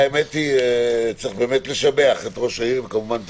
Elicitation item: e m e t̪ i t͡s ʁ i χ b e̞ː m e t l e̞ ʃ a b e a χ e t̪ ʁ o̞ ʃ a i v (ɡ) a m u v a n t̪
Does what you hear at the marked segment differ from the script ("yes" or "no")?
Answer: yes